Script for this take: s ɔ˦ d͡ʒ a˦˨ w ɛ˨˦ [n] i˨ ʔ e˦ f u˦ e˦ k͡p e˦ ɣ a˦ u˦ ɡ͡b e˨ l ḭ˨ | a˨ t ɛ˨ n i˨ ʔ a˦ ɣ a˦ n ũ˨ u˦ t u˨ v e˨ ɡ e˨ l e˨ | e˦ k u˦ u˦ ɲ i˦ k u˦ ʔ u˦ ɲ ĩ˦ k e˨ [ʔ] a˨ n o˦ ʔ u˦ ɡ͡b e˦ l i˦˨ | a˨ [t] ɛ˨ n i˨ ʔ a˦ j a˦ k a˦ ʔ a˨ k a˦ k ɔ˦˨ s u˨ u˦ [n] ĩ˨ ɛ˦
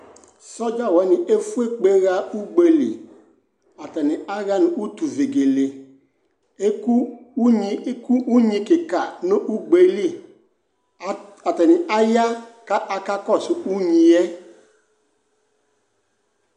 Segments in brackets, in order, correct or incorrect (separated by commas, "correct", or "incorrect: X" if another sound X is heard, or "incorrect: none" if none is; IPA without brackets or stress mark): correct, incorrect: k, correct, incorrect: ɲ